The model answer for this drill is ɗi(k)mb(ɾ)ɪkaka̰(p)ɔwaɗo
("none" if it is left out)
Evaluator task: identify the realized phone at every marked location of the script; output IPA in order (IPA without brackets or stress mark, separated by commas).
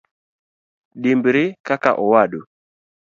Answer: none, ɾ, ʔ